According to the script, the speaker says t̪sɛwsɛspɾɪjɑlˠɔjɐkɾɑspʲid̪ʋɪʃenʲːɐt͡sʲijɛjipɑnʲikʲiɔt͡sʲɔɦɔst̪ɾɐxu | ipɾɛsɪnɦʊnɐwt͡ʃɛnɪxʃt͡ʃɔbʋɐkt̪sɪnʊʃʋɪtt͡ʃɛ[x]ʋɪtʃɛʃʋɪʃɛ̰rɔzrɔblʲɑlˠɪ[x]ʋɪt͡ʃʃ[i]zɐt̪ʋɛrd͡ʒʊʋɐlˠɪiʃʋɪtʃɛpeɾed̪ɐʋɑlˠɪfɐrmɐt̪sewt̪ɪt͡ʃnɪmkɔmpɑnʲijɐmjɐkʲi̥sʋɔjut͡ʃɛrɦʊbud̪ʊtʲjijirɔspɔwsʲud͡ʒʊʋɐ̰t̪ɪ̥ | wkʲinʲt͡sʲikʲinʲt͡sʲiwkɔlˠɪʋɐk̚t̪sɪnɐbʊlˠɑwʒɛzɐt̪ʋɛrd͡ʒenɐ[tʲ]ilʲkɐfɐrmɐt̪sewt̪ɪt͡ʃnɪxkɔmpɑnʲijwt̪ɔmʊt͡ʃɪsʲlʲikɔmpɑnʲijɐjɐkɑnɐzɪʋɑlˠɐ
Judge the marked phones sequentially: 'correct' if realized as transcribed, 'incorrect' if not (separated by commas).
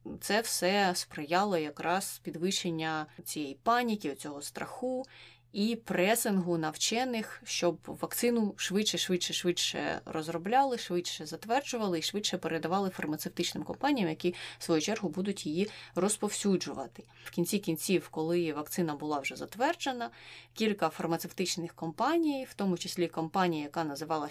incorrect, incorrect, incorrect, incorrect